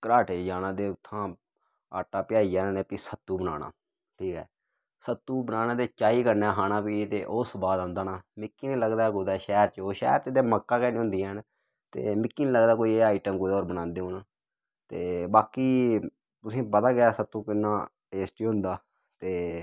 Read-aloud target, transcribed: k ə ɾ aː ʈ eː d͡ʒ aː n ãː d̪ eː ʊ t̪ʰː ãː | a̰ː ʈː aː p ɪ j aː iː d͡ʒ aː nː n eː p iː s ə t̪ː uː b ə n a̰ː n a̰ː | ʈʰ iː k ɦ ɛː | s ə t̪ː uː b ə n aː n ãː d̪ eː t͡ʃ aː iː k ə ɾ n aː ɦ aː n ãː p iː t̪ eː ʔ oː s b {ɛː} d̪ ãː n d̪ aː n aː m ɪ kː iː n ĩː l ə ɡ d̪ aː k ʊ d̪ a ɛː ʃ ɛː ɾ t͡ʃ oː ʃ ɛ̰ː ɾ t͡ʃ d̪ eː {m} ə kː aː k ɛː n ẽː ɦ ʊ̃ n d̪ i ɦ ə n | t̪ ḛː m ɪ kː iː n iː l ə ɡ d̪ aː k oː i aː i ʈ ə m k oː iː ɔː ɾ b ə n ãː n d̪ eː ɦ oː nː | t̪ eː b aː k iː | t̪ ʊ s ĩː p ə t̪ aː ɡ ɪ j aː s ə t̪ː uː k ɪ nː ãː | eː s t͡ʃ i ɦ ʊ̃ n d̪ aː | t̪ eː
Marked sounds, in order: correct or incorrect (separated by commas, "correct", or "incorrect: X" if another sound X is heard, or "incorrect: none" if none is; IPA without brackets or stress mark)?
incorrect: aː, correct